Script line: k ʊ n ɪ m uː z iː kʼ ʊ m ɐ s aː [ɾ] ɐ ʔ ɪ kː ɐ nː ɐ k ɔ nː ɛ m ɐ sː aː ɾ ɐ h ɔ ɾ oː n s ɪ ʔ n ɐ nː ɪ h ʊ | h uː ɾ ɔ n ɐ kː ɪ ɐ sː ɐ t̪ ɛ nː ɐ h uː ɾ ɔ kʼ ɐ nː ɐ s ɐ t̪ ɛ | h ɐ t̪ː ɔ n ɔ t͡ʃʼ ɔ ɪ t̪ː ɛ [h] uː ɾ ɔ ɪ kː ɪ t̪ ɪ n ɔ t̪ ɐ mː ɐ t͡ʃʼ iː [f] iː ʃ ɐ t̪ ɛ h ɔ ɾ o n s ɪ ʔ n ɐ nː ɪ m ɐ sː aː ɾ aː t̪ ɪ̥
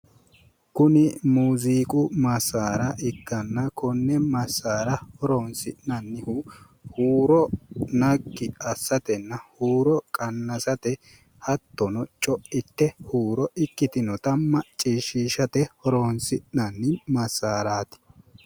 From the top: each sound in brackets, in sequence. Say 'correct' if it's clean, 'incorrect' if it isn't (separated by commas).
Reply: correct, correct, incorrect